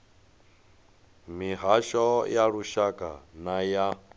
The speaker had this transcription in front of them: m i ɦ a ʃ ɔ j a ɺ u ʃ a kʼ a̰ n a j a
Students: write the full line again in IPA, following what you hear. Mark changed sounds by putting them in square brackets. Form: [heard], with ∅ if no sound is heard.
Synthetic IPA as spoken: m i ɦ a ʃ ɔ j a ɺ u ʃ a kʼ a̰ n a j a